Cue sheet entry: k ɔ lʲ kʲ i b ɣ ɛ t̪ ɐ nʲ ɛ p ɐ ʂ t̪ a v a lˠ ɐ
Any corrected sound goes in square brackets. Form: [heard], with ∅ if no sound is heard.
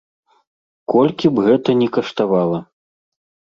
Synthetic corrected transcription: k ɔ lʲ kʲ i b ɣ ɛ t̪ ɐ nʲ ɛ [k] ɐ ʂ t̪ a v a lˠ ɐ